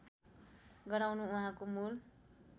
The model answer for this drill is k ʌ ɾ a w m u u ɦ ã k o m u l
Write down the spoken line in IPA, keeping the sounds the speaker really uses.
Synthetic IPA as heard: ɡ ʌ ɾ a w n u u ɦ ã k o m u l